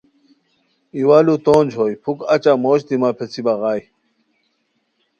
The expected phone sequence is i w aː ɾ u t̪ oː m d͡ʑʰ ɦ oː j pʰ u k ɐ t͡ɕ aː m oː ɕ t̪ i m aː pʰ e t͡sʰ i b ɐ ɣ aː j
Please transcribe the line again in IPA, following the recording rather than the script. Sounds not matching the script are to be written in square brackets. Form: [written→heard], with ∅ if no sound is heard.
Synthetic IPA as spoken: i w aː [ɾ→l] u t̪ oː [m→n] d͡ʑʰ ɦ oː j pʰ u k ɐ t͡ɕ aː m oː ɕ t̪ i m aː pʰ e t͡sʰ i b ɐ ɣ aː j